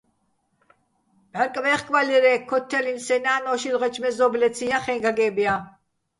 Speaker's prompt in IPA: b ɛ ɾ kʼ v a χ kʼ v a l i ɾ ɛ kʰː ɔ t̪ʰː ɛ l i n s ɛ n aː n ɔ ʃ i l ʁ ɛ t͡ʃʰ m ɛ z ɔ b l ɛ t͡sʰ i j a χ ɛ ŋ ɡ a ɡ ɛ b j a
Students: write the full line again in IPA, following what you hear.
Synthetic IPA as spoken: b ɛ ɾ kʼ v ɛ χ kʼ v a l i ɾ ɛ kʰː ɔ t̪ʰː ɛ l i n s ɛ n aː n ɔ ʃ i l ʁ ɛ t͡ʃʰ m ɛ z ɔ b l ɛ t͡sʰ i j a χ ɛ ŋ ɡ a ɡ ɛ b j a

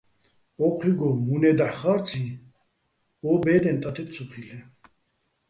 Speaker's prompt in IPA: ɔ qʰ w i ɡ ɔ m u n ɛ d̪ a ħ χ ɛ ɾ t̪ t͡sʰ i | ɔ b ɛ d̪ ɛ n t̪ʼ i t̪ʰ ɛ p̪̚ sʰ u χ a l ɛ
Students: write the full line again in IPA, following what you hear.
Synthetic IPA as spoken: ɔ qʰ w i ɡ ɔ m u n ɛ d̪ a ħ χ a ɾ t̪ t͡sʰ i | ɔ b ɛ d̪ ɛ n t̪ʼ a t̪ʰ ɛ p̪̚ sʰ u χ i l ɛ

